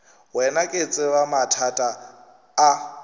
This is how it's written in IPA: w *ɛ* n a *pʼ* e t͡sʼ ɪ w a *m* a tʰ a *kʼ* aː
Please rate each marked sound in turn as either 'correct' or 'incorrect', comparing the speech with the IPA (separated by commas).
correct, incorrect, correct, incorrect